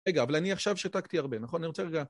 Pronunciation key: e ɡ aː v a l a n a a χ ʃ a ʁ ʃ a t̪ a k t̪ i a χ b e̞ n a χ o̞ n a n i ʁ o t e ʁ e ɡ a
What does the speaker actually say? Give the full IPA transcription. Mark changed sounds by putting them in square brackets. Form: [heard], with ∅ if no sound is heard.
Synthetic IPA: e ɡ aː v a l a n [i] a χ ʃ a [v] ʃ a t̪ a k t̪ i a [ʁ] b e̞ n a χ o̞ n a n i ʁ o [t͡s] e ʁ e ɡ a